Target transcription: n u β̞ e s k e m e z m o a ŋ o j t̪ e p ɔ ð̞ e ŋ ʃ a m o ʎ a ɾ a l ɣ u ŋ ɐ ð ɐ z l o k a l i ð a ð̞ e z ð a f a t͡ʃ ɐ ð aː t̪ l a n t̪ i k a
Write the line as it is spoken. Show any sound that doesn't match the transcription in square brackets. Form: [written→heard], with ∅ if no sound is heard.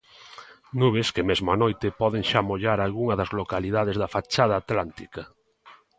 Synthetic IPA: n u β̞ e s k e m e z m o a [ŋ→n] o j t̪ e p ɔ ð̞ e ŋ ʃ a m o ʎ a ɾ a l ɣ u ŋ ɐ ð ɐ z l o k a l i ð a ð̞ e z ð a f a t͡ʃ [ɐ→a] ð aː t̪ l a n t̪ i k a

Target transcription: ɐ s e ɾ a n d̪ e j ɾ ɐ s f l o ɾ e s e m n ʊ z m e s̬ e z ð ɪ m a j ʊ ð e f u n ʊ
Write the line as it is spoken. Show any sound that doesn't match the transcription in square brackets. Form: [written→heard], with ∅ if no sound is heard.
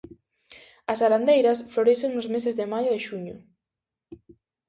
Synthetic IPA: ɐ s [e→a] ɾ a n d̪ e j ɾ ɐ s f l o ɾ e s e [m→ŋ] n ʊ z m e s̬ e z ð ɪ m a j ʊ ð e [f→ʃ] u [n→ɲ] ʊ

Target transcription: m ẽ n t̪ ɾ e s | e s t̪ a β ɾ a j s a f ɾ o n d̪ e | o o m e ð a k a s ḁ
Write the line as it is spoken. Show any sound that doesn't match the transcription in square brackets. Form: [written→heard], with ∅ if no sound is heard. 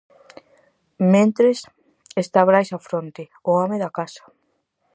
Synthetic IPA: m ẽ n t̪ ɾ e s | e s t̪ a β ɾ a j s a f ɾ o n [d̪→t̪] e | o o m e ð a k a s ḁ

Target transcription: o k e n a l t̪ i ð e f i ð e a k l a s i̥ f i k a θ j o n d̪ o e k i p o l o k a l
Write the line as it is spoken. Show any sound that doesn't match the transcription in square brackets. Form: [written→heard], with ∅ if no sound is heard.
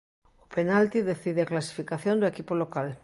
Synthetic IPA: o [k→p] e n a l t̪ i ð e [f→θ] i ð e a k l a s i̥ f i k a θ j o n d̪ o e k i p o l o k a l

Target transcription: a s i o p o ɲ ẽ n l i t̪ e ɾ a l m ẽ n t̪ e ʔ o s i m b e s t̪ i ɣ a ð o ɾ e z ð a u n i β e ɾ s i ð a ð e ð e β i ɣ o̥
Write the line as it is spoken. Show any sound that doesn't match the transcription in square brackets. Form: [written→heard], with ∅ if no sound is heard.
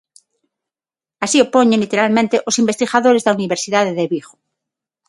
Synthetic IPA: a s i o p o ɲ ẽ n l i t̪ e ɾ a l m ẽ n t̪ e ʔ o s i m b e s t̪ i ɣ a ð o ɾ e z ð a u n i β e ɾ s i ð a ð e ð e β i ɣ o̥

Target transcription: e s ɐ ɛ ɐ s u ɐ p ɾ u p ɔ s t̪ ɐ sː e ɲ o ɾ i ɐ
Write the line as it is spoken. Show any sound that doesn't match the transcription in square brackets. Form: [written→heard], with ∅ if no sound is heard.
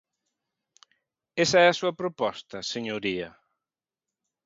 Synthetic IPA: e s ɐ ɛ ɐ s u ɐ p ɾ [u→o] p ɔ s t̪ ɐ [sː→s] e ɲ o ɾ i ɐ

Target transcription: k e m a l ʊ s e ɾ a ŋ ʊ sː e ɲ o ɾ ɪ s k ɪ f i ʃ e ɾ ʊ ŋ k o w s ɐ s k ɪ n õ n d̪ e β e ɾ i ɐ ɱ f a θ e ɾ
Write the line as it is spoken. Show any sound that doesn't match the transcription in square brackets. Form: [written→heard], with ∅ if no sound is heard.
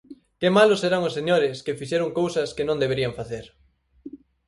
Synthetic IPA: k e m a l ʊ s e ɾ a ŋ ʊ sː e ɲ o ɾ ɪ s k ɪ f i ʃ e ɾ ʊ ŋ k o w s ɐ s k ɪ n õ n d̪ e β e ɾ i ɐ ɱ f a θ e ɾ

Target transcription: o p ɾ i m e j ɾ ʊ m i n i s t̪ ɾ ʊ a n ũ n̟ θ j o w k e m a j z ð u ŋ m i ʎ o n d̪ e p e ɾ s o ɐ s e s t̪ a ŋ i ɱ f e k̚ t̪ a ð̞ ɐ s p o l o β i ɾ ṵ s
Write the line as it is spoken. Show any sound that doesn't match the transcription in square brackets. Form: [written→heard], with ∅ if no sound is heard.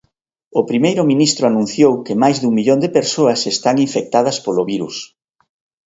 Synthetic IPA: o p ɾ i m e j ɾ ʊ m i n i s t̪ ɾ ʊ a n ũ n̟ θ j o w k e m a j z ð u ŋ m i ʎ o n d̪ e p e ɾ s o ɐ s e s t̪ a ŋ i ɱ f e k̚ t̪ a ð̞ ɐ s p o l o β i ɾ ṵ s

